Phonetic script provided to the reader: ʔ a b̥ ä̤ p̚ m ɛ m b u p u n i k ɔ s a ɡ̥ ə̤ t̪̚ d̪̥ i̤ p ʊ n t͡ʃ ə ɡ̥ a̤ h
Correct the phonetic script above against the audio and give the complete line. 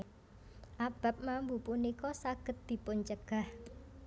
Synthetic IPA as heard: ʔ a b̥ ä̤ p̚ m a m b u p u n i k ɔ s a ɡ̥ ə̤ t̪̚ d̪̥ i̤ p ʊ n t͡ʃ ə ɡ̥ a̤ h